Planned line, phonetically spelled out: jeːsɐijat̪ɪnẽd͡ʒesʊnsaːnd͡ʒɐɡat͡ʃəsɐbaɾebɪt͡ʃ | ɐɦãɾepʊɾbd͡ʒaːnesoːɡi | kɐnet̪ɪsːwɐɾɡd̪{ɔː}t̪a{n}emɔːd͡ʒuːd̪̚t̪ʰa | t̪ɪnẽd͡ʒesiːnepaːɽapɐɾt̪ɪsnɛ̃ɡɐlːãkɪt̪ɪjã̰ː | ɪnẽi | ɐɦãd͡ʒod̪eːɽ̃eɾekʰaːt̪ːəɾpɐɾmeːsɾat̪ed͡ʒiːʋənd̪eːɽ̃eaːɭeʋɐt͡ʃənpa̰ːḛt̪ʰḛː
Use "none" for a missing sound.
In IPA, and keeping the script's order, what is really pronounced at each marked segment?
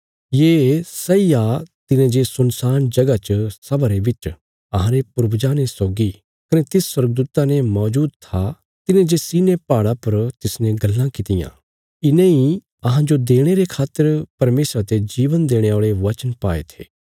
uː, n

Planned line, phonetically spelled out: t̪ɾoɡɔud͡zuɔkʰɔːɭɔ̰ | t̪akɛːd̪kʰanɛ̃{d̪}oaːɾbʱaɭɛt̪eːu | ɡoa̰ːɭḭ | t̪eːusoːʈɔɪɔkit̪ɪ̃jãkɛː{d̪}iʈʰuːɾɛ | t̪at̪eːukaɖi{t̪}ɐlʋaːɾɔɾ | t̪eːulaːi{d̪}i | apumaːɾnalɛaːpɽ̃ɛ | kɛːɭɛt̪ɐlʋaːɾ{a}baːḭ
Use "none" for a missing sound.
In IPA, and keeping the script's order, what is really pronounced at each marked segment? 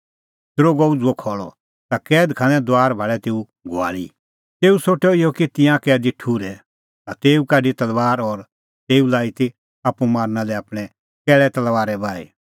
d̪, d̪, t̪, t̪, ɛ

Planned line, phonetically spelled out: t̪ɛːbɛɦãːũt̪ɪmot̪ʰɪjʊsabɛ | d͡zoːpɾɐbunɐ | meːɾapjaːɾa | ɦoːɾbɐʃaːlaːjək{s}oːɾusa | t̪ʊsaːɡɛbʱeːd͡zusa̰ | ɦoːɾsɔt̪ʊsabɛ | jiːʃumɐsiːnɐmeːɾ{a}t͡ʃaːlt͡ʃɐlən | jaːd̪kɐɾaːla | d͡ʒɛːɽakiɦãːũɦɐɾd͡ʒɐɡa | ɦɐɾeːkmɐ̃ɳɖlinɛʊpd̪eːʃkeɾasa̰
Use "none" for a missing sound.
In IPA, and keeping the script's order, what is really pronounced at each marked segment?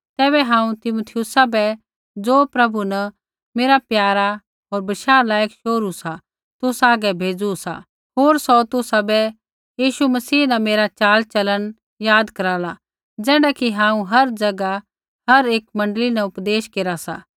ʃ, a

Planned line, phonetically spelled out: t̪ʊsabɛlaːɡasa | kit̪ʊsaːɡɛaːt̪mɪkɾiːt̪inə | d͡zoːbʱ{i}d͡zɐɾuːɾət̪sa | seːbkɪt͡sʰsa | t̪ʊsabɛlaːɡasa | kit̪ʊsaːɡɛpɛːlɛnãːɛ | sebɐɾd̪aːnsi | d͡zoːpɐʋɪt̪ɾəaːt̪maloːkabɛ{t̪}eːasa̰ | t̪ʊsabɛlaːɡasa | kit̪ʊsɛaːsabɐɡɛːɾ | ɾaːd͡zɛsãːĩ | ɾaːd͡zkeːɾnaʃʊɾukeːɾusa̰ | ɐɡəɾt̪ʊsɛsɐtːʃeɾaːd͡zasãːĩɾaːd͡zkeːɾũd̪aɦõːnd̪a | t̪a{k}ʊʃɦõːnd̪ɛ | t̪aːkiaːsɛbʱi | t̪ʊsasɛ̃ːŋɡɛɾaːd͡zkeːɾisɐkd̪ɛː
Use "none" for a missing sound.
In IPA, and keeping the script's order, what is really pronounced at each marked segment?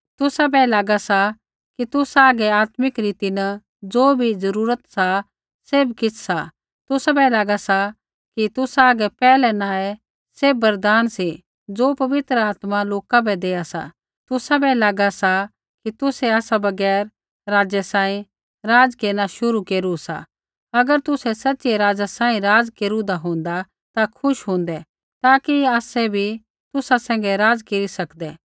i, d̪, kʰ

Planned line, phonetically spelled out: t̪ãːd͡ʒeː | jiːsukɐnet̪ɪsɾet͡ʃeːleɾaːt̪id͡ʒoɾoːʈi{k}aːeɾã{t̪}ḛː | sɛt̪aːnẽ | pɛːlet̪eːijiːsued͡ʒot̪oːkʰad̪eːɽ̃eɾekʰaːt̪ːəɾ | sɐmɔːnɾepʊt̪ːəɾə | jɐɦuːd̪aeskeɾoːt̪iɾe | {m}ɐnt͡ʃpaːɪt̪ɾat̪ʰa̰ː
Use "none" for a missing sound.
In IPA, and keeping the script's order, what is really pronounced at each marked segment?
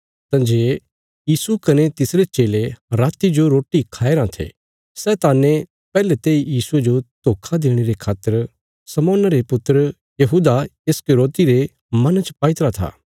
kʰ, t̪ʰ, m

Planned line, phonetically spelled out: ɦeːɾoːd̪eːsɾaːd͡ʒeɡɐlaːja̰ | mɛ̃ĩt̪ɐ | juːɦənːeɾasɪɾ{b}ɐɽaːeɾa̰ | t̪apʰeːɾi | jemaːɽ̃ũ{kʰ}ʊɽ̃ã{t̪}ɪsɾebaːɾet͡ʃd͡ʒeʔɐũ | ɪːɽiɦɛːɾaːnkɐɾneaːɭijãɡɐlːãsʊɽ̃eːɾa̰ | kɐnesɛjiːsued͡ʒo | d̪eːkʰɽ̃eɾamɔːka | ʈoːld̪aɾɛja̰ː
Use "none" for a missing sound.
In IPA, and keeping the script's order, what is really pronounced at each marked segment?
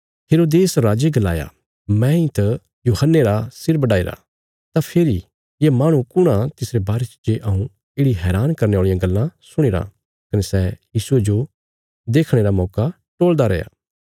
b, k, t̪

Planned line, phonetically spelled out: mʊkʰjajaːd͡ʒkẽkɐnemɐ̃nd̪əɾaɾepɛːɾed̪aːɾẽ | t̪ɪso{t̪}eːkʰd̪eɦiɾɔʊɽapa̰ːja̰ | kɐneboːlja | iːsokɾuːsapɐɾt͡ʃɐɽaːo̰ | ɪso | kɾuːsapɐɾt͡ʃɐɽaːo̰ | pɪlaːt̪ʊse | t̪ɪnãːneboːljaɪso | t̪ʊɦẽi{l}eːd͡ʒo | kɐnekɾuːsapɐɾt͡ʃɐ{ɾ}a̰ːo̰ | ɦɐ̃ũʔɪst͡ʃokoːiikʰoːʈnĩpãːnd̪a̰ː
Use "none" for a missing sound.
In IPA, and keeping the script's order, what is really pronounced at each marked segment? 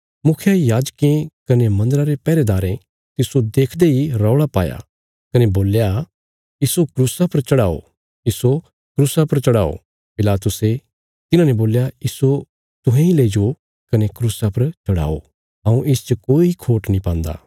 d̪, l, ɽ

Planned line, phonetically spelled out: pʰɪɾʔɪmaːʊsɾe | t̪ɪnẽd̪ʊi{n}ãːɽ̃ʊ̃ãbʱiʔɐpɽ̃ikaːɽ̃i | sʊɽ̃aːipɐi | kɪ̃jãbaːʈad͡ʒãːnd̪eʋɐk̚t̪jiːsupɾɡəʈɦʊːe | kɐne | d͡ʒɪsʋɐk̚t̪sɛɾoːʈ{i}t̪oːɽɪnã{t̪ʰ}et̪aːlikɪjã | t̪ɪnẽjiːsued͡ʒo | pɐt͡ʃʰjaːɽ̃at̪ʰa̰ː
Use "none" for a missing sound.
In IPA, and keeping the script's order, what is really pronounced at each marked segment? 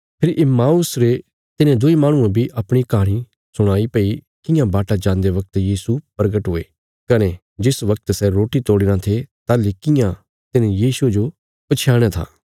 m, i, t̪ʰ

